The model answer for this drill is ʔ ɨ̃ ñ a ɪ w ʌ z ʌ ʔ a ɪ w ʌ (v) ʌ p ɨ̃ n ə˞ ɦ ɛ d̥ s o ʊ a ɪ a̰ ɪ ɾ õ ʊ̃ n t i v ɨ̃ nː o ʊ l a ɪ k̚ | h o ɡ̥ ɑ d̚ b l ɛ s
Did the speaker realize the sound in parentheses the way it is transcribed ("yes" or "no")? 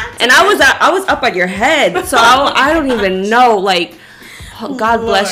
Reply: no